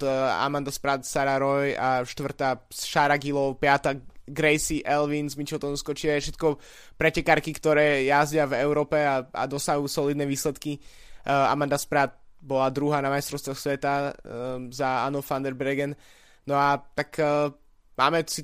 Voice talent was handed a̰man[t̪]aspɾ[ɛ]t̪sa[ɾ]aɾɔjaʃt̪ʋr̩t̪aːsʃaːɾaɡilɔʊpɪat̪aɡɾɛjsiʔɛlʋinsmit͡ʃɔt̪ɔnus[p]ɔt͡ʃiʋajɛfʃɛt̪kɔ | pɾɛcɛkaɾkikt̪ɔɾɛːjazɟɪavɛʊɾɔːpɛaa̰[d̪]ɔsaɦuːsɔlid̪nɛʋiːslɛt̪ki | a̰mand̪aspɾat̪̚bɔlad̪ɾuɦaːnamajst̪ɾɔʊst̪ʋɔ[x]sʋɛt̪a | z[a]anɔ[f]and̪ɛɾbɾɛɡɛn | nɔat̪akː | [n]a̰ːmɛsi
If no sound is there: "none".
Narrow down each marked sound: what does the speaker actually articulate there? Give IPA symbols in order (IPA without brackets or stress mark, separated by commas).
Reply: d̪, a, ɾ, k, d̪, x, a, f, m